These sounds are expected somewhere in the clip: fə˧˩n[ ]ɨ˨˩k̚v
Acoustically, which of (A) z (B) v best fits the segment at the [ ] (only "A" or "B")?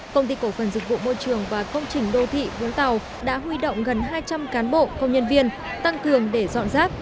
A